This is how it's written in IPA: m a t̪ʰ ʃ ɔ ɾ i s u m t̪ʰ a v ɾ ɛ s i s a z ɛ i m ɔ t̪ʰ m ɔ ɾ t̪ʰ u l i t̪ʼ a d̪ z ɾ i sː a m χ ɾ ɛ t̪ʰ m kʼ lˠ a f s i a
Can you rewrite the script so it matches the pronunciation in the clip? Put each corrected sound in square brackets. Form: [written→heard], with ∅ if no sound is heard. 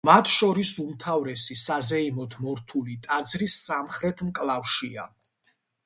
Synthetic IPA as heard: m a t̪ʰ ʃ ɔ ɾ i s u m t̪ʰ a v ɾ ɛ s i s a z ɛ i m ɔ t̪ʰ m ɔ ɾ t̪ʰ u l i t̪ʼ a d̪ z ɾ i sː a m χ ɾ ɛ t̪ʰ m kʼ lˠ a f [s→ʃ] i a